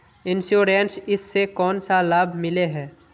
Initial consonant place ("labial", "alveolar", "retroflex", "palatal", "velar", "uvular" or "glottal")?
alveolar